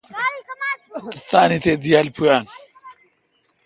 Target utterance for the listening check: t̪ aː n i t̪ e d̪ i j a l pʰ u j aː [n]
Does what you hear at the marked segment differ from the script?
no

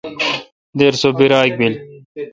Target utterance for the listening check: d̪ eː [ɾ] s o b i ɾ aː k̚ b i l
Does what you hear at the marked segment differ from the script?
no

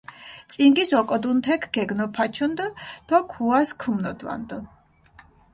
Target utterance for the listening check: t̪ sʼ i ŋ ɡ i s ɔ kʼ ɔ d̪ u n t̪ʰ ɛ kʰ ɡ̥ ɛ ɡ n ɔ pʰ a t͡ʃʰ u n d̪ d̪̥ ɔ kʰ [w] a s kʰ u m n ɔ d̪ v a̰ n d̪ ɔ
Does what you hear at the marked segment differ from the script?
yes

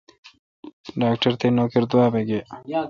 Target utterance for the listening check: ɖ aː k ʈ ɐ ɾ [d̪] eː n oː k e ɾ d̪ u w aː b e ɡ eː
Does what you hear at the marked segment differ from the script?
yes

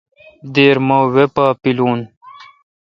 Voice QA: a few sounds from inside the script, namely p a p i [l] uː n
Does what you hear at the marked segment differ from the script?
no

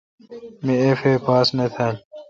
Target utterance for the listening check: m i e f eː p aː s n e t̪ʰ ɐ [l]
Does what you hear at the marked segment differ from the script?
no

